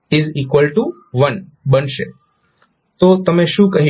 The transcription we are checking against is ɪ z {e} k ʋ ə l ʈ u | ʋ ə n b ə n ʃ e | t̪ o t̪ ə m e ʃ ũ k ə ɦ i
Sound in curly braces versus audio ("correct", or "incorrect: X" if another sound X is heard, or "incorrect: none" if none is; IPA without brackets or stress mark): incorrect: i